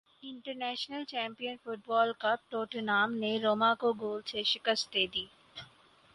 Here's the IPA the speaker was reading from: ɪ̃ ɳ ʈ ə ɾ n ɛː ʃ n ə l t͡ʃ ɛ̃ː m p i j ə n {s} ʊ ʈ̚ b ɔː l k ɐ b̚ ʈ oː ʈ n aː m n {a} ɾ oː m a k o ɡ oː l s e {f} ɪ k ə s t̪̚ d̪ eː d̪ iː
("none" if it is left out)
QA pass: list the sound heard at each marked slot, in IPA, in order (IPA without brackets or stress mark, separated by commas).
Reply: f, e, ʃ